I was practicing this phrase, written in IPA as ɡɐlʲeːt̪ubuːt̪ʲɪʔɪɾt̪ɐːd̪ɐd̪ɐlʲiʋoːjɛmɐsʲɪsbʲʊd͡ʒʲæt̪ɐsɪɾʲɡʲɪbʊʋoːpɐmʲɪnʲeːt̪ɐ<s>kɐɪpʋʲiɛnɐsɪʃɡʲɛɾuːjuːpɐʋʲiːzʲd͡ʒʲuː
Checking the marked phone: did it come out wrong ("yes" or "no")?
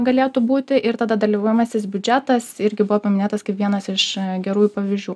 no